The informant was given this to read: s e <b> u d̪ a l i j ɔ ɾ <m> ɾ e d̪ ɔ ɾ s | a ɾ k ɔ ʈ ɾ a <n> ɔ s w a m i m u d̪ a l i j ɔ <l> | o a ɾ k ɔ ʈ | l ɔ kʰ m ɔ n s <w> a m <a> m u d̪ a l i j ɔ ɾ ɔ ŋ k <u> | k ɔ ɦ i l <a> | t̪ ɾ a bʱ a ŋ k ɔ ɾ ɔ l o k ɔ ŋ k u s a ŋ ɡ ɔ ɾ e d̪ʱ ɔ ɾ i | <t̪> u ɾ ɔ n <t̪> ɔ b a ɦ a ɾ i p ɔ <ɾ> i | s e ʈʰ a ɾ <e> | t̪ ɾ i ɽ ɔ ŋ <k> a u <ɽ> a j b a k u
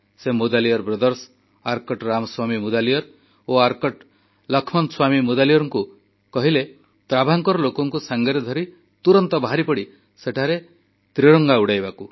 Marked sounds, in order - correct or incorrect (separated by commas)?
incorrect, incorrect, incorrect, incorrect, correct, incorrect, correct, incorrect, correct, correct, incorrect, correct, incorrect, correct